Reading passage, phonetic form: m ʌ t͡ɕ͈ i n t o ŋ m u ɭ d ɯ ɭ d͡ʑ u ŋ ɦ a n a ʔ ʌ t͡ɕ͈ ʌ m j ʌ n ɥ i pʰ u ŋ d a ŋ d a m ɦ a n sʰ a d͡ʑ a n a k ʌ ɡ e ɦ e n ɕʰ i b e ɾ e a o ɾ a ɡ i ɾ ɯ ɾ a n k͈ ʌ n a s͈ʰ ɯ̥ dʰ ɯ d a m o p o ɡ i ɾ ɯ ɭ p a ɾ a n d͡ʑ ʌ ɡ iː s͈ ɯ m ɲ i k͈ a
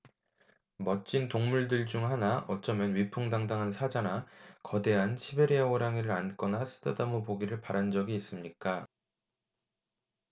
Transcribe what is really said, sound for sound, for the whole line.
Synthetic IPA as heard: m ʌ t͡ɕ͈ i n t o ŋ m u ɭ d ɯ ɭ d͡ʑ u ŋ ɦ a n a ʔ ʌ t͡ɕ͈ ʌ m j ʌ n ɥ i pʰ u ŋ d a ŋ d a ŋ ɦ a n sʰ a d͡ʑ a n a k ʌ d e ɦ a n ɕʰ i b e ɾ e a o ɾ a ŋ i ɾ ɯ ɾ a n k͈ ʌ n a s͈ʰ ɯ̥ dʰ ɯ d a m o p o ɡ i ɾ ɯ ɭ p a ɾ a n d͡ʑ ʌ ɡ iː s͈ ɯ m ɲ i k͈ a